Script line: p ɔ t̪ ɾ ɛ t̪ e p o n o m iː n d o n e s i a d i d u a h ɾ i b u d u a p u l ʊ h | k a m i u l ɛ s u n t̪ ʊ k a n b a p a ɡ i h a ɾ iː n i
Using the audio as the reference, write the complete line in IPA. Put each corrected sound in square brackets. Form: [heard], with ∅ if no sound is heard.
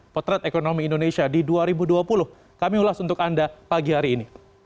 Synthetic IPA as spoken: p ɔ t̪ ɾ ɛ t̪ e [k] o n o m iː n d o n e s i a d i d u a [∅] ɾ i b u d u a p u l ʊ h | k a m i u l [a] s u n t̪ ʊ k a n [d] a p a ɡ i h a ɾ iː n i